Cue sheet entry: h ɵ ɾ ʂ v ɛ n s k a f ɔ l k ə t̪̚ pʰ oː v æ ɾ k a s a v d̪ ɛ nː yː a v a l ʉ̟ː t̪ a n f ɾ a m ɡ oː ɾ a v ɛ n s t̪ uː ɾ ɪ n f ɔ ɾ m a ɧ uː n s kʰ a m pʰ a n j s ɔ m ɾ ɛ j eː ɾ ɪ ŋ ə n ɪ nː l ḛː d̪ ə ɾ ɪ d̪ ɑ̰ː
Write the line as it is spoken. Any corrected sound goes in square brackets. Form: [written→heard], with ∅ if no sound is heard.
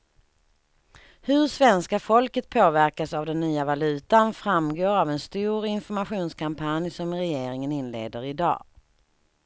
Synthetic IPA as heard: h ɵ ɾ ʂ v ɛ n s k a f ɔ l k ə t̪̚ pʰ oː v æ ɾ k a s a v d̪ ɛ nː yː a v a l ʉ̟ː t̪ a n f ɾ a m ɡ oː ɾ a v ɛ n s t̪ uː ɾ ɪ n f ɔ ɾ m a ɧ uː n s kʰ a m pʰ a n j s ɔ m ɾ ɛ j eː ɾ ɪ ŋ ə n ɪ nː l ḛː d̪ ə ɾ ɪ d̪ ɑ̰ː